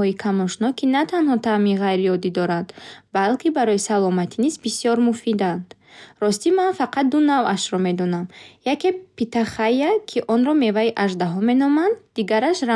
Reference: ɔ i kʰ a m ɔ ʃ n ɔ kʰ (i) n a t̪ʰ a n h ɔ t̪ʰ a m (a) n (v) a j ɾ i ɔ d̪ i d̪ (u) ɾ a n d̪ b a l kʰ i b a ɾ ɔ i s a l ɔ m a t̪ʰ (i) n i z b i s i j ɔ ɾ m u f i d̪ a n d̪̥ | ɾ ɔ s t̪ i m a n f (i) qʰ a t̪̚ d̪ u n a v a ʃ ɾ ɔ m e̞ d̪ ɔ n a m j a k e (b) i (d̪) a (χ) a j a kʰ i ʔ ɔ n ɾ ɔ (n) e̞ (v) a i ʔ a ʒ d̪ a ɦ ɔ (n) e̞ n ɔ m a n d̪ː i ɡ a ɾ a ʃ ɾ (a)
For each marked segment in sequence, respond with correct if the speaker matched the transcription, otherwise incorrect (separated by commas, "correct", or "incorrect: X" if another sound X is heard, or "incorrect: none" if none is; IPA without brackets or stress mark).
correct, incorrect: i, incorrect: ʁ, incorrect: ɔ, correct, incorrect: a, incorrect: p, incorrect: t̪, correct, incorrect: m, correct, incorrect: m, correct